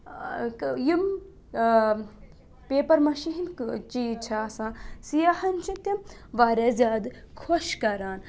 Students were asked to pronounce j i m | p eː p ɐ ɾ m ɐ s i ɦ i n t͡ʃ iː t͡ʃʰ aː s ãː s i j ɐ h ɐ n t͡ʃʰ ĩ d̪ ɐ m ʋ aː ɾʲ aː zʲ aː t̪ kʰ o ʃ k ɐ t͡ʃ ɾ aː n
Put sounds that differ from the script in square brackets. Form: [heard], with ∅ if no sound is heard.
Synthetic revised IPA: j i m | p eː p ɐ ɾ m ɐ [ʃ] i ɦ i n t͡ʃ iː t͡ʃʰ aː s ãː s i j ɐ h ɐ n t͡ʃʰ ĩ [t̪] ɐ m ʋ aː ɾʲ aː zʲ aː [d̪] kʰ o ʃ k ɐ [∅] ɾ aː n